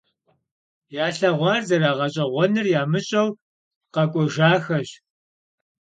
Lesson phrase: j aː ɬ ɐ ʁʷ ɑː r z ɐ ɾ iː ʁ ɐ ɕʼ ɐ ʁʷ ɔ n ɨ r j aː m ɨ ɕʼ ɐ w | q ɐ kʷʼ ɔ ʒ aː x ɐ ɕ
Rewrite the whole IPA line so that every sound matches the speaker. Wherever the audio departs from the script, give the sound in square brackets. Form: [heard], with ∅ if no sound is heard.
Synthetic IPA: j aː ɬ ɐ ʁʷ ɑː r z ɐ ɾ [aː] ʁ ɐ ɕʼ ɐ ʁʷ ɔ n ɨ r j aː m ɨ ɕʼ ɐ w | q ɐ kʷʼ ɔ ʒ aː x ɐ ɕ